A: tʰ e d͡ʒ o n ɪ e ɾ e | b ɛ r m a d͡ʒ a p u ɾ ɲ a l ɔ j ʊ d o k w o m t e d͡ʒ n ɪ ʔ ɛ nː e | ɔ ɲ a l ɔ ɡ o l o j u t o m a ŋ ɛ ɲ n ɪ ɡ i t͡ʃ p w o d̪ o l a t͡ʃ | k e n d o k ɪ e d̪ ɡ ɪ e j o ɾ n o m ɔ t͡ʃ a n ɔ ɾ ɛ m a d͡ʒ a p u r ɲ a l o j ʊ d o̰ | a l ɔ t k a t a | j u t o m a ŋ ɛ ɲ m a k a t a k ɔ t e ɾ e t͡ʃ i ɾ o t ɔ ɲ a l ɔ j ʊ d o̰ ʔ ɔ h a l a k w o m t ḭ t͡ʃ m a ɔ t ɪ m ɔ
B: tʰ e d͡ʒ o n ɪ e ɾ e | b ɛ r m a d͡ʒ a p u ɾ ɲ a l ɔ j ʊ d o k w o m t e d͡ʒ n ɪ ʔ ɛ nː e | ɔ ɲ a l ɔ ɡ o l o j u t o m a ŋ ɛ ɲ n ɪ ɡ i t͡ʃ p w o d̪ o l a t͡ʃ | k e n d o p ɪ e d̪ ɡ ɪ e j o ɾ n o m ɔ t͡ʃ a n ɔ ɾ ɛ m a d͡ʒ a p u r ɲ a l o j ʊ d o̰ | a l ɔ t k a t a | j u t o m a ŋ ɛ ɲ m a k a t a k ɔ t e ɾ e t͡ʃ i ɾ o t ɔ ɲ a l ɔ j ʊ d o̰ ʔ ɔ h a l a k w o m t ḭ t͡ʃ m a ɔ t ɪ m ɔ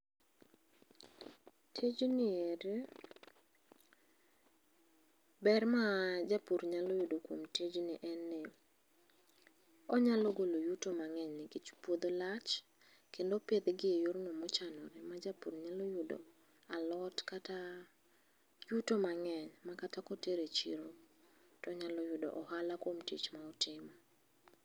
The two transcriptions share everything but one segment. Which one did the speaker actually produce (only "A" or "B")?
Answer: B